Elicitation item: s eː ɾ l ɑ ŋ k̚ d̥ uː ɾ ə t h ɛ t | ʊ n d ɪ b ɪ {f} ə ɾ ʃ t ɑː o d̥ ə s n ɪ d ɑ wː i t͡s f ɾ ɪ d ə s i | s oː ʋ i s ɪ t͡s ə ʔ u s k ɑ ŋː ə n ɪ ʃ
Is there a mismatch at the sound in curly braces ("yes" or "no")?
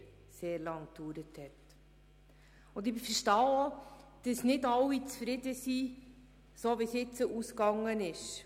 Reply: no